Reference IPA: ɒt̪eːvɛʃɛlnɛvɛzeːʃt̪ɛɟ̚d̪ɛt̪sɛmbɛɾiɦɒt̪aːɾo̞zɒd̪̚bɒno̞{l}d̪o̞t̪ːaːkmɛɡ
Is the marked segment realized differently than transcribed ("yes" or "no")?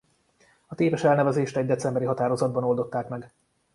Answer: no